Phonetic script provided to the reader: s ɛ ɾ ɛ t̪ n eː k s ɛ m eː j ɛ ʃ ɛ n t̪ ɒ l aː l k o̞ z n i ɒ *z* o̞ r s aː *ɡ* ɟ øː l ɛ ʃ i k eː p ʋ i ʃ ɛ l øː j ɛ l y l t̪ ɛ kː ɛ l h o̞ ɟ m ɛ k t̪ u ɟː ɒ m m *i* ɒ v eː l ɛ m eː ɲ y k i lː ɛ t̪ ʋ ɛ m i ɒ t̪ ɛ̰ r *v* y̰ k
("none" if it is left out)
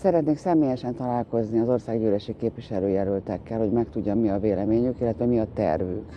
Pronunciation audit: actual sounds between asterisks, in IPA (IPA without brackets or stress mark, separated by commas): z, ɡ, i, v